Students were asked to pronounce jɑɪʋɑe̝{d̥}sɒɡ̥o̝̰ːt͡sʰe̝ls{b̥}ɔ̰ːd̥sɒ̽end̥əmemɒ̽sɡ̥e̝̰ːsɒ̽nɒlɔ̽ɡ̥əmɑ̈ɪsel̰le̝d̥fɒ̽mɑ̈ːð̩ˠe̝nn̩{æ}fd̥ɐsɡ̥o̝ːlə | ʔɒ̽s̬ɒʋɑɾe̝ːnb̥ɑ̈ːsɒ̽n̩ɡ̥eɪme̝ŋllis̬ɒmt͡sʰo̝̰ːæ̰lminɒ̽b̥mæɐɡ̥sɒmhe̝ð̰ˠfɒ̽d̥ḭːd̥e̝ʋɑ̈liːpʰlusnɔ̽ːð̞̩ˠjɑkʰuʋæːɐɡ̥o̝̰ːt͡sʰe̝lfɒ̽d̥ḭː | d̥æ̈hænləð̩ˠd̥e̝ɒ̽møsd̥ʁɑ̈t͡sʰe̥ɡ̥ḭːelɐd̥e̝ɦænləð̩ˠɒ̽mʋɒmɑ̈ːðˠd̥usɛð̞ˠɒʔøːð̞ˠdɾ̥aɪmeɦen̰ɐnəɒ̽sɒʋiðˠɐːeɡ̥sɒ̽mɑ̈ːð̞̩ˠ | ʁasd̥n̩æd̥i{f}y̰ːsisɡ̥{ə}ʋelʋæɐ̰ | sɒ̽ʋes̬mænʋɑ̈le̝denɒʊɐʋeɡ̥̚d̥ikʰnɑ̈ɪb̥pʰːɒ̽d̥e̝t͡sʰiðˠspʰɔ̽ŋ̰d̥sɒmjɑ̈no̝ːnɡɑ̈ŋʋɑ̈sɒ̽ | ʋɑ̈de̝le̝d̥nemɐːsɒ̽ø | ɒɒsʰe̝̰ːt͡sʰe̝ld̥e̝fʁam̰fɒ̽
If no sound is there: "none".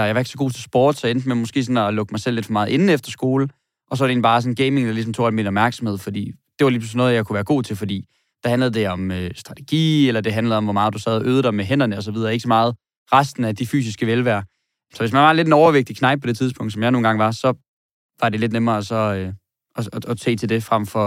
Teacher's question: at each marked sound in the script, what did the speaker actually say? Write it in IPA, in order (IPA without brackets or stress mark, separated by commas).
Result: ɡ̥, b̥, e, f, ə